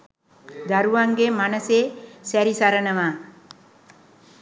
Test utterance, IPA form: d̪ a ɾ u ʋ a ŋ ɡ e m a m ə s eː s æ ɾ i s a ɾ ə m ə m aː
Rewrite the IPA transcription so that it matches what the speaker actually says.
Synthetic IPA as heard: d̪ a ɾ u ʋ a ŋ ɡ e m a n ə s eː s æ ɾ i s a ɾ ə n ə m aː